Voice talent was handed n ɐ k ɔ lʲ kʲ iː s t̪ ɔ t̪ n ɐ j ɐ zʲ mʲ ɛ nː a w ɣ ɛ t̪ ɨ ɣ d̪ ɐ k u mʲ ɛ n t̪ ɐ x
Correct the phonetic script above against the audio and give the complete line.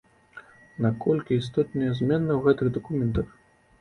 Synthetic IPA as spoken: n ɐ k ɔ lʲ kʲ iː s t̪ ɔ t̪ n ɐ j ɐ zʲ mʲ ɛ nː ɐ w ɣ ɛ t̪ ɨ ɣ d̪ ɐ k u mʲ ɛ n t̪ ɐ x